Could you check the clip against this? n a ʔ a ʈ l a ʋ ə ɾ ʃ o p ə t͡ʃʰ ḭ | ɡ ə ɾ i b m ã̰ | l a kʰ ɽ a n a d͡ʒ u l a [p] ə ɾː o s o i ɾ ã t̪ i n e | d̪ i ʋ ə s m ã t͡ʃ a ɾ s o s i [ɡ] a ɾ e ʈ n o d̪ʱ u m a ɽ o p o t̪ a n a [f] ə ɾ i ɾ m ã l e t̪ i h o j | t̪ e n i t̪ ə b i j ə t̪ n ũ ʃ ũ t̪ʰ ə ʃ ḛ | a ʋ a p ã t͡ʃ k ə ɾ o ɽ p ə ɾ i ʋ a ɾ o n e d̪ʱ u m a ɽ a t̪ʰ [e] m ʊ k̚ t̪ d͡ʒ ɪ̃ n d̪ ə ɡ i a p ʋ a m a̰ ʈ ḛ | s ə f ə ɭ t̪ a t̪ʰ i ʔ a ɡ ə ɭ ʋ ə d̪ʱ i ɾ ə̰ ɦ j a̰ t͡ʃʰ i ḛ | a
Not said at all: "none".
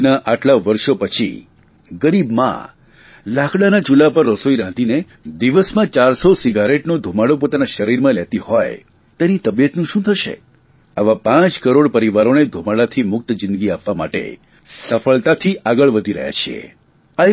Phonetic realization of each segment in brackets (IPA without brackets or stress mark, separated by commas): p, ɡ, ʃ, i